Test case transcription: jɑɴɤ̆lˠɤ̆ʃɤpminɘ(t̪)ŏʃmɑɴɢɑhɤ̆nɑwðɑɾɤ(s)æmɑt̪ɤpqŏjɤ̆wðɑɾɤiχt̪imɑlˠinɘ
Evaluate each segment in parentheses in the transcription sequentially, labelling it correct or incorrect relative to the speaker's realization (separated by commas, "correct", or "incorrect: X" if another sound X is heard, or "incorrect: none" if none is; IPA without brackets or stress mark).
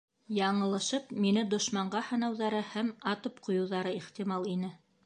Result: incorrect: d̪, incorrect: h